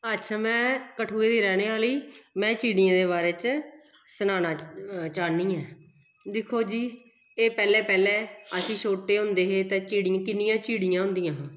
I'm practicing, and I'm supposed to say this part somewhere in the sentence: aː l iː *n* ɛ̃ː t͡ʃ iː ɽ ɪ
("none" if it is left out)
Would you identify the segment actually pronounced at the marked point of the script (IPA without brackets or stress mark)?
m